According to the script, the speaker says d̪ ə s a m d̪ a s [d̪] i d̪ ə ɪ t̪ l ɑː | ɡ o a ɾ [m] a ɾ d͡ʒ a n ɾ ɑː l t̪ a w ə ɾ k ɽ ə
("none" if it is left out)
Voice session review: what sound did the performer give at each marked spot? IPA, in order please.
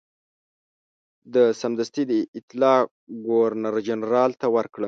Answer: t̪, n

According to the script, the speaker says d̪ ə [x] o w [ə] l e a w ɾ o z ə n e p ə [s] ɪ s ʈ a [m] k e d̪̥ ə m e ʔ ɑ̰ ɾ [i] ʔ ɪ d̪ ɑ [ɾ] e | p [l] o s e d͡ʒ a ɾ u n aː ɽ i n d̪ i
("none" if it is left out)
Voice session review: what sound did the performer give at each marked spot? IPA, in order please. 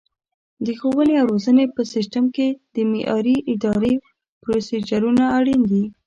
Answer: x, ə, s, m, i, ɾ, ɾ

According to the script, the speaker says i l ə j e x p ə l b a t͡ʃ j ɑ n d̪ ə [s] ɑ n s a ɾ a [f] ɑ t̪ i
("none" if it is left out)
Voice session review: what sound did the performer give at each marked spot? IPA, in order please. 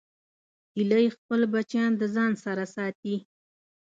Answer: z, s

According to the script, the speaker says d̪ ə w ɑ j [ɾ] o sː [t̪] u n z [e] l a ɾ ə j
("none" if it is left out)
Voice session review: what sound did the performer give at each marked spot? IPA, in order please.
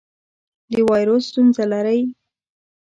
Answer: ɾ, t̪, a

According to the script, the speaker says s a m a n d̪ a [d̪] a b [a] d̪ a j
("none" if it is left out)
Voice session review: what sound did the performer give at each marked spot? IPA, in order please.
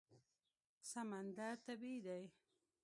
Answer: t̪, i

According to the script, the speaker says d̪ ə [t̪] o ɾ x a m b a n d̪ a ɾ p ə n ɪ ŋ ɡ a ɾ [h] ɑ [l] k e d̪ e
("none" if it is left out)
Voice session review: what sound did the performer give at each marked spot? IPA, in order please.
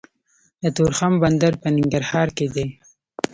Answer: t̪, h, ɾ

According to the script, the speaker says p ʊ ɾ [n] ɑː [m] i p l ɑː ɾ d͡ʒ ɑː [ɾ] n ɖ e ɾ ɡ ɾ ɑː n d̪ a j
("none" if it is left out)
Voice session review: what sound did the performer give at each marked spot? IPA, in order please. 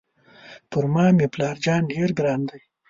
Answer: m, m, none

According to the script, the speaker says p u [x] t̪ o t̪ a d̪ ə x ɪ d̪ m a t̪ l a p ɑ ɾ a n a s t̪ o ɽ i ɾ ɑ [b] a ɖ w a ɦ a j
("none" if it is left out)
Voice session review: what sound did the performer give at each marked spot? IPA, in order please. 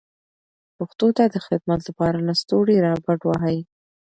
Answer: x, b

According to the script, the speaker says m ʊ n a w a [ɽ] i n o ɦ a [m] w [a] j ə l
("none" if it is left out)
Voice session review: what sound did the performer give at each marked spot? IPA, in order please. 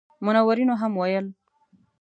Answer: ɾ, m, a

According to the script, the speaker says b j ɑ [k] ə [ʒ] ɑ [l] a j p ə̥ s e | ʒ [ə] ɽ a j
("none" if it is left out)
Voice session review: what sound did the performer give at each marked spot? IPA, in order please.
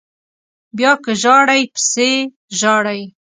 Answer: k, ʒ, ɽ, ɑ

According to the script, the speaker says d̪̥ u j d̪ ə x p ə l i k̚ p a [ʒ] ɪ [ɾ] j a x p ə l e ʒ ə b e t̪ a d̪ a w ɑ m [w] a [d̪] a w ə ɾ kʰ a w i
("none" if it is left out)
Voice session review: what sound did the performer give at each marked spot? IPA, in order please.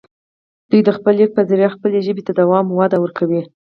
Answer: z, ɾ, w, d̪

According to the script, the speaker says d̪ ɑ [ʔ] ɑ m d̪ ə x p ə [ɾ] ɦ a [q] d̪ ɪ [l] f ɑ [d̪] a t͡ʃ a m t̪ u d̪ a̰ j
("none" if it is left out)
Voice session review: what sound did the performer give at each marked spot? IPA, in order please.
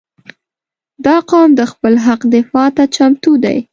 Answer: q, l, q, none, t̪

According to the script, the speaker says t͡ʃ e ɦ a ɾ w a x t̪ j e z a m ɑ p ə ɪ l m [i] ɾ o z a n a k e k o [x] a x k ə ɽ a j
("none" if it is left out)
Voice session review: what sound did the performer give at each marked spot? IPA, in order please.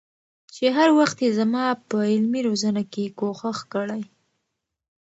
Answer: i, x

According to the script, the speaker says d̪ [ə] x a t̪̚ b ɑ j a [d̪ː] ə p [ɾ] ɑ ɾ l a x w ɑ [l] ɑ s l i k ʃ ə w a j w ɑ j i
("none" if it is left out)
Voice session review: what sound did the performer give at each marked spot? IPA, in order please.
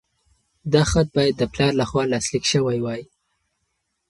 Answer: ɑ, d̪ː, l, l

